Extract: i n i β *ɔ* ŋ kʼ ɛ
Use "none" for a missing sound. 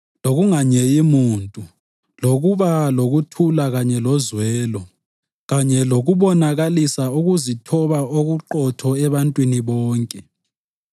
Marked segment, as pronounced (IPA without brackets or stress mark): ɔː